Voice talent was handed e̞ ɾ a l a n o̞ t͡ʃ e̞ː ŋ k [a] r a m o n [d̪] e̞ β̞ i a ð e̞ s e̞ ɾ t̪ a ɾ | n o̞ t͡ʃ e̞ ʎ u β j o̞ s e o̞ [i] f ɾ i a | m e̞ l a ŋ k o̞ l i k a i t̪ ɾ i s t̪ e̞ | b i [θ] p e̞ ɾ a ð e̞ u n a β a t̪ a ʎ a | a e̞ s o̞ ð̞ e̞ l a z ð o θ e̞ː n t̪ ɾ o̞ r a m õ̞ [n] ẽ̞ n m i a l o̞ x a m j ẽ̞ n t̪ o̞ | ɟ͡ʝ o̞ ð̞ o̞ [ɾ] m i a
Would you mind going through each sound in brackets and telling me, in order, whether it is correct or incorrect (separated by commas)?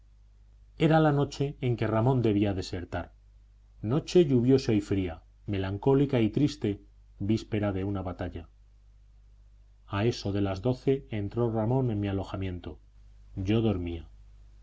incorrect, correct, incorrect, incorrect, correct, correct